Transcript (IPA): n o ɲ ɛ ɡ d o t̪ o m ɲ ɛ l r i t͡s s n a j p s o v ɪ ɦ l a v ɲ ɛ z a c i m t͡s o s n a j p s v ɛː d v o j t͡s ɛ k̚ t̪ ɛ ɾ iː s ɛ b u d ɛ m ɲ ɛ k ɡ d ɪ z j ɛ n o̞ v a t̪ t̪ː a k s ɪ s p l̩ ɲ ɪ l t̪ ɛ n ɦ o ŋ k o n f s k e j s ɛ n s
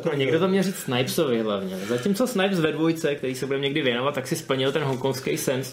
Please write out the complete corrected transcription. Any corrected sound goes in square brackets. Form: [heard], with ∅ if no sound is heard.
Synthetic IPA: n o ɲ ɛ ɡ d o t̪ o m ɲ ɛ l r i t͡s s n a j p s o v ɪ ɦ l a v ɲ ɛ z a c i m t͡s o s n a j p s v [ɛ] d v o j t͡s ɛ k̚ t̪ ɛ ɾ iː s ɛ b u d ɛ m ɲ ɛ [∅] ɡ d ɪ [v] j ɛ n o̞ v a t̪ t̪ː a k s ɪ s p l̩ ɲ ɪ l t̪ ɛ n ɦ o ŋ k o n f s k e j s ɛ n s